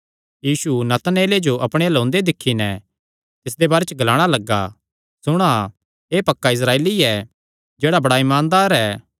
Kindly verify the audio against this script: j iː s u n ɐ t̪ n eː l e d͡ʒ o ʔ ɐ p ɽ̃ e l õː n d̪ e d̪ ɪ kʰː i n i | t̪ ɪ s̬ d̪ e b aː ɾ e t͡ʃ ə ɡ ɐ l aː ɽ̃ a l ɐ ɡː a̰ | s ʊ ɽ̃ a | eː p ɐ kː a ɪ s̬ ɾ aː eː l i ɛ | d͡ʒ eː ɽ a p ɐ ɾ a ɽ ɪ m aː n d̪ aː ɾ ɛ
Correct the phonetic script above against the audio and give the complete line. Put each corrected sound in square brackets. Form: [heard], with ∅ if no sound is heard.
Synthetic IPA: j iː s u n ɐ t̪ n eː l e d͡ʒ o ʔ ɐ p ɽ̃ e l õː n d̪ e d̪ ɪ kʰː i n [ɛ] | t̪ ɪ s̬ d̪ e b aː ɾ e t͡ʃ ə ɡ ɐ l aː ɽ̃ a l ɐ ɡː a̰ | s ʊ ɽ̃ a | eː p ɐ kː a ɪ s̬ ɾ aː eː l i ɛ | d͡ʒ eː ɽ a [b] ɐ [ɽ] a [∅] ɪ m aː n d̪ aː ɾ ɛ